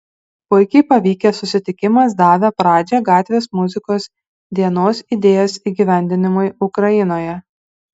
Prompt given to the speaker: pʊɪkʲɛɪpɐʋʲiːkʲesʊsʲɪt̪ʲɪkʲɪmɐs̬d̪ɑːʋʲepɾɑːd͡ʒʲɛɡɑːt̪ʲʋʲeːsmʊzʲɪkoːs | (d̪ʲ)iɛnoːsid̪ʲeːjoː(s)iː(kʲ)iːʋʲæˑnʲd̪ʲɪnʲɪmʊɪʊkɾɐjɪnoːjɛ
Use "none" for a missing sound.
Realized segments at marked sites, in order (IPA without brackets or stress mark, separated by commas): d̪ʲ, s, ɡʲ